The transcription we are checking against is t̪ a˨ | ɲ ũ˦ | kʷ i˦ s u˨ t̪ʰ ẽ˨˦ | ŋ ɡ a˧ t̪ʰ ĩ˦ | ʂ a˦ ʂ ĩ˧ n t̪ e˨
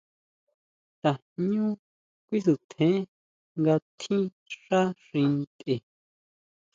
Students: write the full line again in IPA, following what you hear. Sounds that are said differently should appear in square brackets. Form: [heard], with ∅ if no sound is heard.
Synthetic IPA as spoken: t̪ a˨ | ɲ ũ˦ | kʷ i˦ s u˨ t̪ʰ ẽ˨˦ | ŋ ɡ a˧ t̪ʰ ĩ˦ | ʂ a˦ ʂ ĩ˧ n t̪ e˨